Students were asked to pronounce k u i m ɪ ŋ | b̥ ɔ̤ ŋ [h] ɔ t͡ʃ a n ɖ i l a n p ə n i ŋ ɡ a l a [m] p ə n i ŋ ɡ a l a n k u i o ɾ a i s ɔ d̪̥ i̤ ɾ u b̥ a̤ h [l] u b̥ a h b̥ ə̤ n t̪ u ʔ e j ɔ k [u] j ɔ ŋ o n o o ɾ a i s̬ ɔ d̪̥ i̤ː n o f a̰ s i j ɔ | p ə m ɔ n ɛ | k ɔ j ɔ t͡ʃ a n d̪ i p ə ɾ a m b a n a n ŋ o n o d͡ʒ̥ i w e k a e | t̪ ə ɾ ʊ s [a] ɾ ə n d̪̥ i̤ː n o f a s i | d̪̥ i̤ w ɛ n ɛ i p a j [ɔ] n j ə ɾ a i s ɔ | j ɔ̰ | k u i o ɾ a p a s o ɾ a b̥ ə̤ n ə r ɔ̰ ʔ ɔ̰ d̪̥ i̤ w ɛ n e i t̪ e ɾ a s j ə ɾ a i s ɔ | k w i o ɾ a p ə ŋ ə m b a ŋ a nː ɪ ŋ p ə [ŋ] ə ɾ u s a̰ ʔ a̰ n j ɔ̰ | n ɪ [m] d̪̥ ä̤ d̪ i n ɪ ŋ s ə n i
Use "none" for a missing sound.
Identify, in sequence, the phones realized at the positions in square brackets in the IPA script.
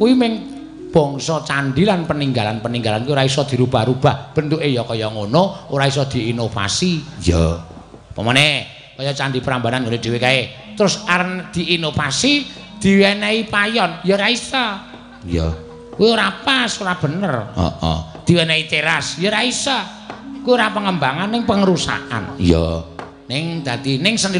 s, n, ɾ, ɔ, a, ɔ, ŋ, ŋ

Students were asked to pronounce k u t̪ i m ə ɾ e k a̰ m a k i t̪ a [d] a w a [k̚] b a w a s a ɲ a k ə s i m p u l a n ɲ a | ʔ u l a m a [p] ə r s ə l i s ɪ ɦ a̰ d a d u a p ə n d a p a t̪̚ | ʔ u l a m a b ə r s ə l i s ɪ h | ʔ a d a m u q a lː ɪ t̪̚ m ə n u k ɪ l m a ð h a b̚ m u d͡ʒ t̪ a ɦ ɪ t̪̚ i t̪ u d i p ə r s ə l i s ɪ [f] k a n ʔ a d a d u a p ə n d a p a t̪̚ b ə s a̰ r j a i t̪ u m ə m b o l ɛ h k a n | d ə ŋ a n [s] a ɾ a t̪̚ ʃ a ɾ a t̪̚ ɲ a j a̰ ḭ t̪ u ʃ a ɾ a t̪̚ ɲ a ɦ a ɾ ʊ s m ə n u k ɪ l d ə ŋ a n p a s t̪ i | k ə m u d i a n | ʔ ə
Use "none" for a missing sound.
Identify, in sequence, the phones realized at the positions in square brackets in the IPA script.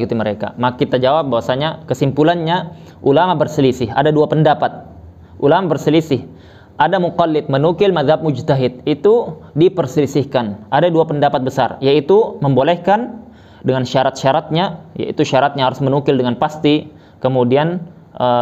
d͡ʒ, p̚, b, h, ʃ

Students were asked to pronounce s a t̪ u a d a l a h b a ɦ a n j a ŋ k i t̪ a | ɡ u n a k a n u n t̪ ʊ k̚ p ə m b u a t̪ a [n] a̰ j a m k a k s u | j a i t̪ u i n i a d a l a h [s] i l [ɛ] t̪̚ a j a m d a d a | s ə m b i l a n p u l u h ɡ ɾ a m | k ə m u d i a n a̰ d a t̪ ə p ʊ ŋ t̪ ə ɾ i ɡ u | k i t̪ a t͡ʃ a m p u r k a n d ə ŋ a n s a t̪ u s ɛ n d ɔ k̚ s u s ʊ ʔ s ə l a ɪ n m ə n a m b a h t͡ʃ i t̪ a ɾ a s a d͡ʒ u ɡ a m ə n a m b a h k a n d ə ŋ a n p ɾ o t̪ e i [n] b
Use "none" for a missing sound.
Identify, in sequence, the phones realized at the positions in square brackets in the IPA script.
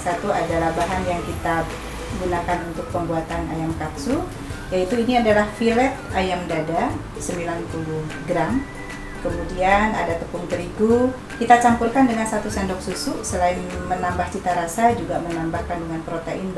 n, f, ɛ, n

